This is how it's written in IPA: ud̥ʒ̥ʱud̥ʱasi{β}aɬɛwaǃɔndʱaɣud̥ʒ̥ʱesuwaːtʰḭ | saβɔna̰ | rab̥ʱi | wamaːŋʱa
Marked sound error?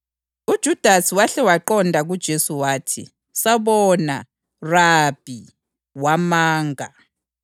yes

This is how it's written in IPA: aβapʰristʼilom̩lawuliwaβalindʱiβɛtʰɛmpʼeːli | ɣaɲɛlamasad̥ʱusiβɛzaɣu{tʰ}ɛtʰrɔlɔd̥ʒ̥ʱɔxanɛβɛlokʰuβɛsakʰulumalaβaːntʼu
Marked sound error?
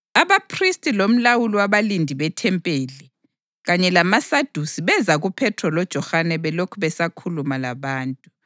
yes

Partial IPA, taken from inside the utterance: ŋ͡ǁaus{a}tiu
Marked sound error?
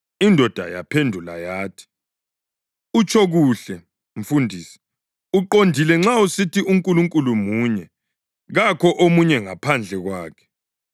yes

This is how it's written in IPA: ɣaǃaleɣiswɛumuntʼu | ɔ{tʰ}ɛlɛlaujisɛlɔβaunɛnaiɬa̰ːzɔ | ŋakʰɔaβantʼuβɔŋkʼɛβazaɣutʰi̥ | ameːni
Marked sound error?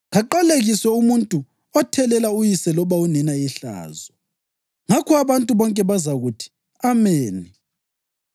no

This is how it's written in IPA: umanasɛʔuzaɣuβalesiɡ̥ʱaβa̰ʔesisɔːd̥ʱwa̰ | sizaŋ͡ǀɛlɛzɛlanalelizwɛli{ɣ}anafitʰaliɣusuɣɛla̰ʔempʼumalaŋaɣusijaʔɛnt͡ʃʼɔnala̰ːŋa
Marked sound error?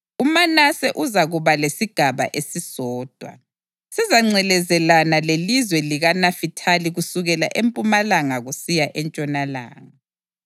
no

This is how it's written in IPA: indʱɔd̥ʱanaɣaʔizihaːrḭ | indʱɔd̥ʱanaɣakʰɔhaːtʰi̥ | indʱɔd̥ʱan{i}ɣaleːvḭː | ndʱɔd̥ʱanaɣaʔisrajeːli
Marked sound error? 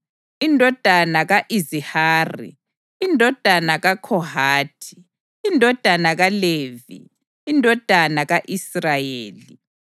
yes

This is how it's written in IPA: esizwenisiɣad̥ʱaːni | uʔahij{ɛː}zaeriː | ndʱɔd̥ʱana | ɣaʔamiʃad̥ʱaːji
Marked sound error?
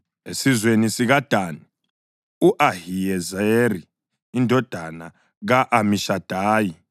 yes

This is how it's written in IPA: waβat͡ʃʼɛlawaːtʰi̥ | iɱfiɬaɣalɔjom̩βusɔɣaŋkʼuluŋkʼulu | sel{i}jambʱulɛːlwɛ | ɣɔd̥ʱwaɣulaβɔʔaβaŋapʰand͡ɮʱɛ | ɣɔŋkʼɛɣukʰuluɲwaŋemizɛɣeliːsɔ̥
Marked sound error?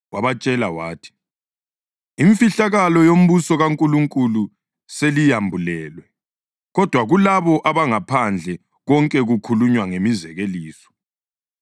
no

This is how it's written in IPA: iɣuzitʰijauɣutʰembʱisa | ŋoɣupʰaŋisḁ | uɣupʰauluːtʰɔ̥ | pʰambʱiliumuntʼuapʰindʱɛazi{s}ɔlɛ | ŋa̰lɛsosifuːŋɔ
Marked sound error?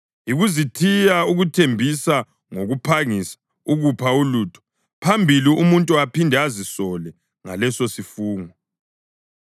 no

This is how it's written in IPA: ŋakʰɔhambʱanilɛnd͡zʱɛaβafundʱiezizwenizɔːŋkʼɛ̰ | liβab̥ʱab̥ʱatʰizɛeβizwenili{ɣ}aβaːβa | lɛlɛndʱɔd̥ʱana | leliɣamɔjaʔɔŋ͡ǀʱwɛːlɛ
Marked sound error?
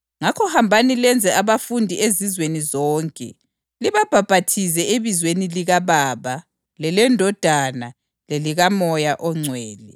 no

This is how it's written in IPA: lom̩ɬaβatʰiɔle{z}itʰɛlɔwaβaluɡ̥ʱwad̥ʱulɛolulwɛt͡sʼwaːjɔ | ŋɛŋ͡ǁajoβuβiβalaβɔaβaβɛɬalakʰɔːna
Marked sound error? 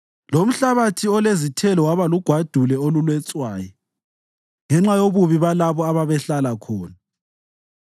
no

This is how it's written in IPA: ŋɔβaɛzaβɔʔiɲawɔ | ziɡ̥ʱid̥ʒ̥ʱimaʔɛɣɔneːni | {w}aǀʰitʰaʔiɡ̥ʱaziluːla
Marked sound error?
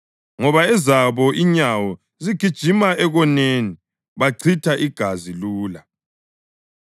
yes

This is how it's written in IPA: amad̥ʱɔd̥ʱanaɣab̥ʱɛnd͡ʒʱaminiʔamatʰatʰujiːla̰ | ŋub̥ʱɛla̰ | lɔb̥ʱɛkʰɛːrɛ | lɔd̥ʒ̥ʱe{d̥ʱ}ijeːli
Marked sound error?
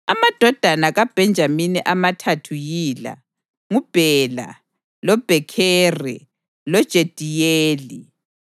no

